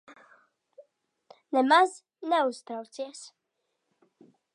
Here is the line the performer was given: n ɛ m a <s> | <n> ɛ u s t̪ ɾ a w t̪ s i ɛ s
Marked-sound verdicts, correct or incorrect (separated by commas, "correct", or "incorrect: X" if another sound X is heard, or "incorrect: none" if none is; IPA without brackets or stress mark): incorrect: z, correct